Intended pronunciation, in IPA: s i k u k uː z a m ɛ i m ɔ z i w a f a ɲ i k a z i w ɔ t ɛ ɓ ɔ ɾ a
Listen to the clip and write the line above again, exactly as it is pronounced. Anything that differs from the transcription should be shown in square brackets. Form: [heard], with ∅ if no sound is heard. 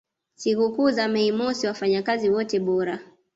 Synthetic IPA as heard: s i k u k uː z a m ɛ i m ɔ [s] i w a f a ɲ [a] k a z i w ɔ t ɛ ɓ ɔ ɾ a